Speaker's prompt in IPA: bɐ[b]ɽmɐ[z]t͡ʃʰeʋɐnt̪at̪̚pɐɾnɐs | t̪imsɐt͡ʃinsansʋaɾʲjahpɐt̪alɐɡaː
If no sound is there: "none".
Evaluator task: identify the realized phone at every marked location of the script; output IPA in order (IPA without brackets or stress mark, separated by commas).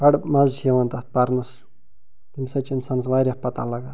none, z